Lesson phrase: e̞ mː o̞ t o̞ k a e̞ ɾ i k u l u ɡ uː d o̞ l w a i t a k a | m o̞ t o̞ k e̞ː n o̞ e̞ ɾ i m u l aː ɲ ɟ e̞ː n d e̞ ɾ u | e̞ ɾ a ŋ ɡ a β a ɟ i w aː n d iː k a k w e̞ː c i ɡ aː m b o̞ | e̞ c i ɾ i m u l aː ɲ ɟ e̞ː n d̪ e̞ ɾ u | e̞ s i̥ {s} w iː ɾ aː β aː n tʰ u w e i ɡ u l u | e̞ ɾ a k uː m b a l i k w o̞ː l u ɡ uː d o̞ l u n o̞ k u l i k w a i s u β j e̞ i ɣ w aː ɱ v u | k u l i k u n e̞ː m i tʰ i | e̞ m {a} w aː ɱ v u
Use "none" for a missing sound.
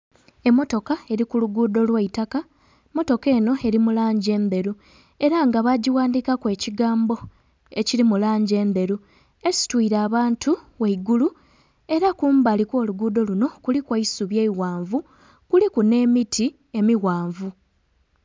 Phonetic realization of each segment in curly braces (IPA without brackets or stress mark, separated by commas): t, i